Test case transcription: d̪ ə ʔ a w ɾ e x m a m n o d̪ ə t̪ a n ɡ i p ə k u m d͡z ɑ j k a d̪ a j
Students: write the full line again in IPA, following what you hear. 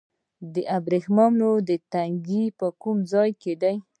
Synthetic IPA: d̪ ə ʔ a b ɾ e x m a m n o d̪ ə t̪ a ŋ ɡ i p ə k u m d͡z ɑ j k e d̪ a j